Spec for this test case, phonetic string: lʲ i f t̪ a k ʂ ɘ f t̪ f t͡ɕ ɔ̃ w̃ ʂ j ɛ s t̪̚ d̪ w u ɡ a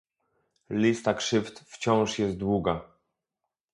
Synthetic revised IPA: lʲ i s t̪ a k ʂ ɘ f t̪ f t͡ɕ ɔ̃ w̃ ʂ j ɛ s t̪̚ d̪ w u ɡ a